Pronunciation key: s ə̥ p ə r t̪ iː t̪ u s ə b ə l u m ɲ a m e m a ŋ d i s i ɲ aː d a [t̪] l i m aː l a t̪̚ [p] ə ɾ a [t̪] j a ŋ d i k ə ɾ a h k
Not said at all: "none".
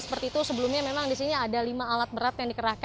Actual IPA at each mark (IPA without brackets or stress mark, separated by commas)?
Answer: none, b, t̪